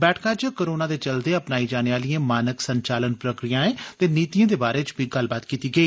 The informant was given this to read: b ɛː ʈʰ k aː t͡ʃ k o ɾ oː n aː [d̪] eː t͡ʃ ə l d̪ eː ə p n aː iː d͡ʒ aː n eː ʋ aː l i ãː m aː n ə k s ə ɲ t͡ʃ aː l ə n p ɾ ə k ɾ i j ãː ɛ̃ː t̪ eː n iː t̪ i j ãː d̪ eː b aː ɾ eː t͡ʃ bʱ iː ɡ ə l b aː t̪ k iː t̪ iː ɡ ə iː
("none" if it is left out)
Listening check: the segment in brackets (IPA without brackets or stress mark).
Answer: d̪